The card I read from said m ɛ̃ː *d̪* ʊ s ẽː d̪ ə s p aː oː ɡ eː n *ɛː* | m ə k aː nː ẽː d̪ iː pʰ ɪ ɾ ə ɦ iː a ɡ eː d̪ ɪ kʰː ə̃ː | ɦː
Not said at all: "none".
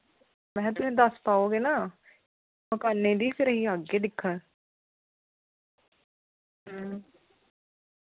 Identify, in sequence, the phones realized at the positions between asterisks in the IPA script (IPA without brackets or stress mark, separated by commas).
t̪, aː